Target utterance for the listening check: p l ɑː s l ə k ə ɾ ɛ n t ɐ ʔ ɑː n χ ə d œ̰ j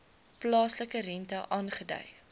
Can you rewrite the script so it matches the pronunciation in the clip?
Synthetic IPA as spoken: p l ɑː s l ə k ə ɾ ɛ n t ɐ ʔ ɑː n χ ə d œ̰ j